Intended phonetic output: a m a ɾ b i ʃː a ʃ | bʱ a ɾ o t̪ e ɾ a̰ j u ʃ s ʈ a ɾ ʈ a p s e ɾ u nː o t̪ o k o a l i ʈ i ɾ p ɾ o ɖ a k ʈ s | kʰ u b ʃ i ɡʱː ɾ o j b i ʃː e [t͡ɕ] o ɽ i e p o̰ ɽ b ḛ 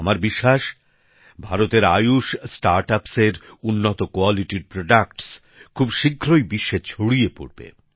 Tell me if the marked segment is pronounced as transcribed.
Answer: no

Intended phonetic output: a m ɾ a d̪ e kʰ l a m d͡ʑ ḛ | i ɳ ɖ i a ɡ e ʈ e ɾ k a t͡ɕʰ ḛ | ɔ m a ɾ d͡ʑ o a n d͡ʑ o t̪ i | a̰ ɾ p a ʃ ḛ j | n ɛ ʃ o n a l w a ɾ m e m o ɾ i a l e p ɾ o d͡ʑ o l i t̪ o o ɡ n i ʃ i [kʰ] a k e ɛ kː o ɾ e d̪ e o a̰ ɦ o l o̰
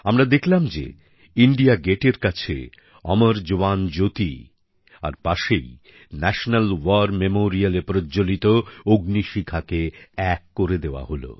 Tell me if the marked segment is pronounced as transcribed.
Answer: yes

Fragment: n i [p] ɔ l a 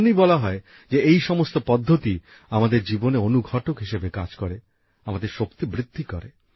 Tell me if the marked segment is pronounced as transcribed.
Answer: no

